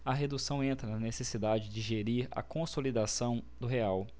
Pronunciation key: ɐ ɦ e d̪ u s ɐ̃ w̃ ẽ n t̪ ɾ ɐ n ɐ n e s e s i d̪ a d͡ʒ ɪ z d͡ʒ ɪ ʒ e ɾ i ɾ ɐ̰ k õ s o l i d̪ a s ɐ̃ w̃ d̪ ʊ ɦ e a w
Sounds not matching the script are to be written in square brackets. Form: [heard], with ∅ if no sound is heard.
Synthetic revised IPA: ɐ ɦ e d̪ u s ɐ̃ w̃ ẽ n t̪ ɾ ɐ n ɐ n e s e s i d̪ a d͡ʒ ɪ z d͡ʒ ɪ ʒ e ɾ i ɾ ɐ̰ k õ s o l i d̪ a s ɐ̃ w̃ d̪ ʊ ɦ e a w